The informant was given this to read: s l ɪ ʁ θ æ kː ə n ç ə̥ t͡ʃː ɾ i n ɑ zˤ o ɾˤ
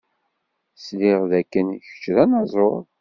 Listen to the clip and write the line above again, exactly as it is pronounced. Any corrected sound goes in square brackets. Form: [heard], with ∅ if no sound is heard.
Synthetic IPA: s l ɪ ʁ [ð] æ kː ə n ç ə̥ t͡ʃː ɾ [æ] n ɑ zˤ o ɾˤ

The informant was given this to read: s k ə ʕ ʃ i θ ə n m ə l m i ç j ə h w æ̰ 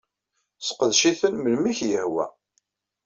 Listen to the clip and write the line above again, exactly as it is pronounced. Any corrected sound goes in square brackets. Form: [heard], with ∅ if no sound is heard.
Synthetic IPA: s [q] ə [ð] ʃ i θ ə n m ə l m i ç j ə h w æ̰

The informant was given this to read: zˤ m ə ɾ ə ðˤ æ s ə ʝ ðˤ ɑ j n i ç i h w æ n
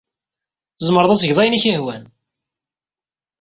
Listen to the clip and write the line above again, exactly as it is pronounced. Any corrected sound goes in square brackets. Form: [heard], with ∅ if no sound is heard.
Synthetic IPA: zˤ m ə ɾ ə ðˤ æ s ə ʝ ðˤ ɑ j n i ç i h w æ n

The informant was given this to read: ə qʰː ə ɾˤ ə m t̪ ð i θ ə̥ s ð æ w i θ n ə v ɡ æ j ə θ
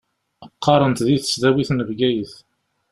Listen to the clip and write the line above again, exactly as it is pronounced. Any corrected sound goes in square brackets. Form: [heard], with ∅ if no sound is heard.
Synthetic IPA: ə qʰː [ɑ] ɾˤ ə [n] t̪ ð i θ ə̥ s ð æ w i θ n ə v ɡ æ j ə θ

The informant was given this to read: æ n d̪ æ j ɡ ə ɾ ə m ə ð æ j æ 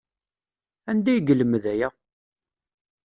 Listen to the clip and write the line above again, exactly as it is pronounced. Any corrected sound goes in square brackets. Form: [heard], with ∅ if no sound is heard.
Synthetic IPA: æ n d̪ æ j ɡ ə [l] ə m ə ð æ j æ

